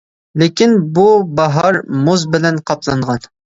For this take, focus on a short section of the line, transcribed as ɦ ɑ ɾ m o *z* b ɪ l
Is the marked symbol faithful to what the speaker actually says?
yes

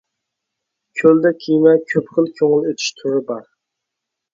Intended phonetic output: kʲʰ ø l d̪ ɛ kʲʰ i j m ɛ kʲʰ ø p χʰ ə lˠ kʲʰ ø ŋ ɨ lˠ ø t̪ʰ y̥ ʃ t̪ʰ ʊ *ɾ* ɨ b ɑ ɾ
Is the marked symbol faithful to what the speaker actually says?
yes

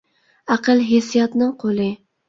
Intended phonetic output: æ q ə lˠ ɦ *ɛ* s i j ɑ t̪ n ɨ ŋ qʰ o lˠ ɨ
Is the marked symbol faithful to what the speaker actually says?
no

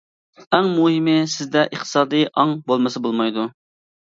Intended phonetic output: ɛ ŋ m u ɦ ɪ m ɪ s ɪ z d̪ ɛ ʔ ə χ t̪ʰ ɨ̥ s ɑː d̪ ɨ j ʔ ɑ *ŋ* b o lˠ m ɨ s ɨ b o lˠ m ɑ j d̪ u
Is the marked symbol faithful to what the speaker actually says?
yes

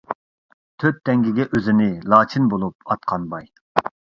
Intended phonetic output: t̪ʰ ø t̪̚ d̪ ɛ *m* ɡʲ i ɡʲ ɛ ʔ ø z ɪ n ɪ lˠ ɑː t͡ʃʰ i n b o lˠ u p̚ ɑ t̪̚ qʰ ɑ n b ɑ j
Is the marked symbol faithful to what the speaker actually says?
no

